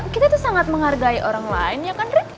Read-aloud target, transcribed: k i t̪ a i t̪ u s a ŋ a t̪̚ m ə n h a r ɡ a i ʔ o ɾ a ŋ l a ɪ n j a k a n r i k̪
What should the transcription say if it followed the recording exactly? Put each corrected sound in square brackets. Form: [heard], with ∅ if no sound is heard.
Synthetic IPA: k i t̪ a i t̪ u s a ŋ a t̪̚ m ə [ŋ] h a r ɡ a i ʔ o ɾ a ŋ l a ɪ n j a k a n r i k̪